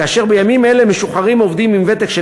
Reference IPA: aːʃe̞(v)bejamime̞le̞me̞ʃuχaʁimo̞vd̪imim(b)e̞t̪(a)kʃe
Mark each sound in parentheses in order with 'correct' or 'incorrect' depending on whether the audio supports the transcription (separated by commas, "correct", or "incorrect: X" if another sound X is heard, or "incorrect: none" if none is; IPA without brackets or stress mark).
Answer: incorrect: ʁ, incorrect: v, incorrect: e